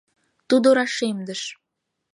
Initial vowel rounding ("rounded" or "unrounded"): rounded